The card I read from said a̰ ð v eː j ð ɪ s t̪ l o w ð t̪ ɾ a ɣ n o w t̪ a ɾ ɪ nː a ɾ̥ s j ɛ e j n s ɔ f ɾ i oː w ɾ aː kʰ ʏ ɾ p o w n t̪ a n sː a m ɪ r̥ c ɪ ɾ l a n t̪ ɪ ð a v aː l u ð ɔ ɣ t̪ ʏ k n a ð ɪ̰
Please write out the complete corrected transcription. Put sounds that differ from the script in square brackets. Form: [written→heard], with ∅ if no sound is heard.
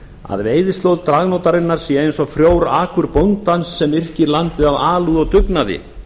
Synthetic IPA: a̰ ð v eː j ð ɪ s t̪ l o w ð t̪ ɾ a ɣ n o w t̪ a ɾ ɪ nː a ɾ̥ s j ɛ e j n s ɔ f ɾ [i→j] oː w ɾ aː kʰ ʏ ɾ p o w n t̪ a n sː [a→ɛ] m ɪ r̥ c ɪ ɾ l a n t̪ ɪ ð a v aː l u ð ɔ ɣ t̪ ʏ k n a ð ɪ̰